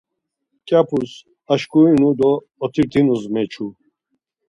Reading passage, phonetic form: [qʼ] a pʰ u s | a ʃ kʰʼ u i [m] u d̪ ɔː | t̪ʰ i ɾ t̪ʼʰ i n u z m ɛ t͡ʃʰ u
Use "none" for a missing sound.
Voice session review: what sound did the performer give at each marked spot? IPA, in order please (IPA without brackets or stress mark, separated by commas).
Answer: kʼ, n